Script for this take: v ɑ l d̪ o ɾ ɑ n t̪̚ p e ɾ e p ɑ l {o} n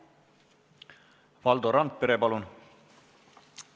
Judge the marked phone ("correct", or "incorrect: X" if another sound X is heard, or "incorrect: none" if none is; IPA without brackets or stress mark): incorrect: u